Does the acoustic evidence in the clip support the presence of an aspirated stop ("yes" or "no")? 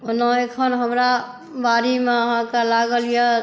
yes